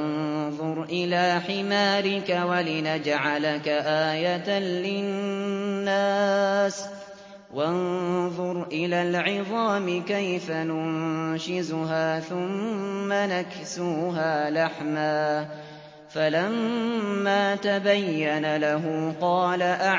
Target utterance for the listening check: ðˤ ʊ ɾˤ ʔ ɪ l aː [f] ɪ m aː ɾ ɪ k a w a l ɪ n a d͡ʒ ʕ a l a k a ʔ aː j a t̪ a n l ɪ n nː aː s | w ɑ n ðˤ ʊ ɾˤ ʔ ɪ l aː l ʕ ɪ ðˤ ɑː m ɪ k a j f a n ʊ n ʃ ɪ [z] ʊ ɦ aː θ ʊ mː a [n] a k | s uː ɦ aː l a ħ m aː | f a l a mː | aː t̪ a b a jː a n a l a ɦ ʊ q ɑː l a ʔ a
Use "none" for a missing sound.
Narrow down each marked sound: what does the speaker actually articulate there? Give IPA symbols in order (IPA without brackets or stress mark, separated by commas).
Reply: ħ, z, n